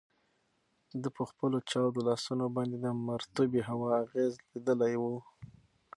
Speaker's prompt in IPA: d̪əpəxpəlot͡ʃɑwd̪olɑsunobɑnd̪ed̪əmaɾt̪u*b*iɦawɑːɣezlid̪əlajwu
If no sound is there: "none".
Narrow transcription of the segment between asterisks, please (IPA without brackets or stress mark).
b